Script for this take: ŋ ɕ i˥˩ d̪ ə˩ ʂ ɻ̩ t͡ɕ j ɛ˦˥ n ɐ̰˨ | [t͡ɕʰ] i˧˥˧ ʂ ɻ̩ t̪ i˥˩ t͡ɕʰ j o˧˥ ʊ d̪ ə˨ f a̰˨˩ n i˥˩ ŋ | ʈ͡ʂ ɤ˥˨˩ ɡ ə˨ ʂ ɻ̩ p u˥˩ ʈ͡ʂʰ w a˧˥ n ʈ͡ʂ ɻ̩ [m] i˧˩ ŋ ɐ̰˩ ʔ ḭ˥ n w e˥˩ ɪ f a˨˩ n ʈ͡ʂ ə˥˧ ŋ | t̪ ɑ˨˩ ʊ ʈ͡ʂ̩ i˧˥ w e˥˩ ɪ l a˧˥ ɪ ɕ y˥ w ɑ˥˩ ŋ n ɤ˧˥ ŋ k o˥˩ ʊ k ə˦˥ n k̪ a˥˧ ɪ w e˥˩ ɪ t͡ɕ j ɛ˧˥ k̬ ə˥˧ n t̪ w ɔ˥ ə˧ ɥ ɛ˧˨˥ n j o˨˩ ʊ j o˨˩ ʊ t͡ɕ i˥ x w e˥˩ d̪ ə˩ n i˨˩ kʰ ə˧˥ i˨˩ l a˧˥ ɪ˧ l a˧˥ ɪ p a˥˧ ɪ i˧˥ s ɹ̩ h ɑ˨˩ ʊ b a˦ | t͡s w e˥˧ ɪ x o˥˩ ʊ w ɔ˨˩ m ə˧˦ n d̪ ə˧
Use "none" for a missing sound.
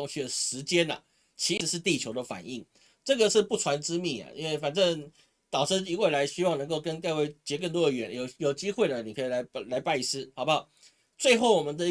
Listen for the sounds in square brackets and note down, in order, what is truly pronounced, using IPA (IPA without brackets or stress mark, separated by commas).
t͡ɕʰ, m